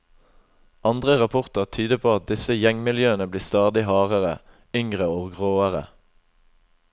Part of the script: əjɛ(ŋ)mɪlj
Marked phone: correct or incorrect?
correct